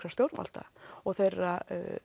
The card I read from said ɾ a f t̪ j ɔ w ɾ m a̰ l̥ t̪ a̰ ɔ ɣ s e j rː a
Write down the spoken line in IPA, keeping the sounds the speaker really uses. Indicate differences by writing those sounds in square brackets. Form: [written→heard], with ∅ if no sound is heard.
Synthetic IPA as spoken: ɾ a [f→s] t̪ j [ɔ→o] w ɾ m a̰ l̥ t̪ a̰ ɔ ɣ [s→θ] e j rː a